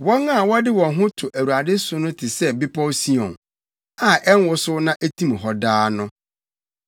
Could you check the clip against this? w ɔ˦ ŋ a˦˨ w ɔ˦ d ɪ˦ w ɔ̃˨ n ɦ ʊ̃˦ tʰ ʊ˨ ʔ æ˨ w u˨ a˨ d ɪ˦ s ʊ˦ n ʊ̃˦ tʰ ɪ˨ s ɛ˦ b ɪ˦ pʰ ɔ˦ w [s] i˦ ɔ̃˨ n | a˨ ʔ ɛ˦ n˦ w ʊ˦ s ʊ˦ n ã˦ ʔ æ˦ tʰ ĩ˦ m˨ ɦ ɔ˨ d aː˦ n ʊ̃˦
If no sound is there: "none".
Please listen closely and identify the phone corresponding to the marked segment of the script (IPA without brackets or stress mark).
s